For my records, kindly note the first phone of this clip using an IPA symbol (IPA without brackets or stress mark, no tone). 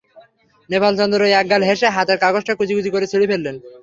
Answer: n